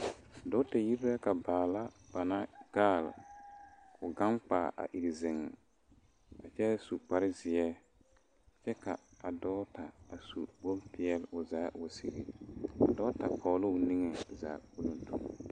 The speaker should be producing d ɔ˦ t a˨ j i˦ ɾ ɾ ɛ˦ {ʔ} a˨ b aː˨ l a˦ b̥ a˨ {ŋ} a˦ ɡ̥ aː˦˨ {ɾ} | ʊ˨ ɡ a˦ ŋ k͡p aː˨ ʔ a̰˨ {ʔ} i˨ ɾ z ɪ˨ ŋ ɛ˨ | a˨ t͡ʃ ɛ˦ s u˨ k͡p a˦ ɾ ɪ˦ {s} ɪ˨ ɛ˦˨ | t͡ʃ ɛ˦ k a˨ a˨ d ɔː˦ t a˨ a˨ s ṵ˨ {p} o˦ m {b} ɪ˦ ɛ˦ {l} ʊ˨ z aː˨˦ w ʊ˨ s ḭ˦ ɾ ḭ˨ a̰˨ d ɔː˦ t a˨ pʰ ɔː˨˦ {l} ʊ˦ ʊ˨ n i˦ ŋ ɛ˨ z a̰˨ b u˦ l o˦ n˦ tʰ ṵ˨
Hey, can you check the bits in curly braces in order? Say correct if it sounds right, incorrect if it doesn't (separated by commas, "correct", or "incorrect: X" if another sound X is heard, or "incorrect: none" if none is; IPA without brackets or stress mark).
incorrect: k, incorrect: n, incorrect: l, correct, incorrect: z, incorrect: b, incorrect: p, correct, correct